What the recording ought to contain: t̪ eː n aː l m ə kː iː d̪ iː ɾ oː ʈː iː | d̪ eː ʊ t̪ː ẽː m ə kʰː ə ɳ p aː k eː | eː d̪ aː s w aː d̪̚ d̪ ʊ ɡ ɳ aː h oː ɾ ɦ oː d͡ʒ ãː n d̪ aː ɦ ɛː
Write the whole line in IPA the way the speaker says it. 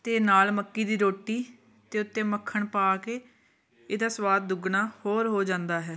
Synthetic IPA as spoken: t̪ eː n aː l m ə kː iː d̪ iː ɾ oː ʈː iː | t̪ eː ʊ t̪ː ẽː m ə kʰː ə ɳ p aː k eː | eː d̪ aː s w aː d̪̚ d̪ ʊ ɡ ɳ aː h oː ɾ ɦ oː d͡ʒ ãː n d̪ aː ɦ ɛː